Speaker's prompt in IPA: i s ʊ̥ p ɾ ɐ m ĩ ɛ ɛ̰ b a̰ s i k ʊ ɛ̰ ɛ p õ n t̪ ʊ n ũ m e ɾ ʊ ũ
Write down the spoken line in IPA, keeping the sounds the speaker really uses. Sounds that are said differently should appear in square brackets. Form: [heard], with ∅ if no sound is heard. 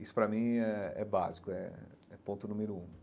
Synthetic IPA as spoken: i s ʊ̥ p ɾ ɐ m ĩ ɛ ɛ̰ b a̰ [z] i k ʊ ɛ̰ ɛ p õ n t̪ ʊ n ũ m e ɾ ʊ ũ